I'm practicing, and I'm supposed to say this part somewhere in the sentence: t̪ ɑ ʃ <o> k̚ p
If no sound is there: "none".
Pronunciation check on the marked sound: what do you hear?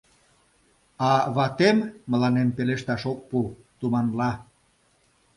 o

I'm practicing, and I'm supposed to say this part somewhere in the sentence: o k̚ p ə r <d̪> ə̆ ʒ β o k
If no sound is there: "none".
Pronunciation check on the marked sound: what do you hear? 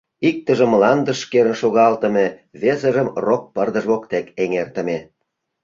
d̪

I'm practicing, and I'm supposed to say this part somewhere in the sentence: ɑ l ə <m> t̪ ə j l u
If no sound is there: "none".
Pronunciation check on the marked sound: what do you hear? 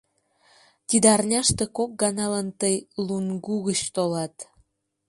n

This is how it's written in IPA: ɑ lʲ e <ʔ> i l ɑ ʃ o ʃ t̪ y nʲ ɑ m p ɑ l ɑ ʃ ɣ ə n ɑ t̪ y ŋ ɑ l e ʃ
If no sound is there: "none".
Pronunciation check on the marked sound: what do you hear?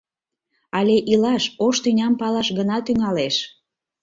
ʔ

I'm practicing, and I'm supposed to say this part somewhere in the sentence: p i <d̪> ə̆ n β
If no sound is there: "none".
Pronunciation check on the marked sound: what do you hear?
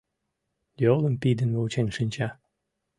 d̪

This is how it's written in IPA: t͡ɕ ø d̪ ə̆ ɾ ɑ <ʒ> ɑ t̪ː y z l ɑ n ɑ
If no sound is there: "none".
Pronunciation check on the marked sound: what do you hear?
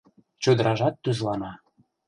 ʒ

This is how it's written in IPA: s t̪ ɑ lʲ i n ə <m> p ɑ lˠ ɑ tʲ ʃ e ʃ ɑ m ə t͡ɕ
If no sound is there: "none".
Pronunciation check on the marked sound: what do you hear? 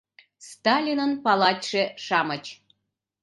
n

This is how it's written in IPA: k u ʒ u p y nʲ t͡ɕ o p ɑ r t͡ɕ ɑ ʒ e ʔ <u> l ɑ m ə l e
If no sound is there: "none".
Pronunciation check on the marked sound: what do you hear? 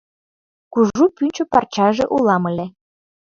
u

